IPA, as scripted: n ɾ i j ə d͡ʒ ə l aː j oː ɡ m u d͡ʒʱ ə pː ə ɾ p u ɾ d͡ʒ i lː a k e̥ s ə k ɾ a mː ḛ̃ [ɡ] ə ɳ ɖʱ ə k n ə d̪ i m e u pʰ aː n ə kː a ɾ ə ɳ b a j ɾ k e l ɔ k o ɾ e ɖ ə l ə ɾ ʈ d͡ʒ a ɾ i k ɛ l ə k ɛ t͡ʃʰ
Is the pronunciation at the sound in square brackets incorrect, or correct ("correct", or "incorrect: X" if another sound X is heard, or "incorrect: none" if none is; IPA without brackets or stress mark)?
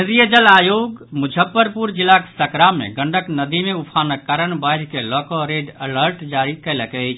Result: correct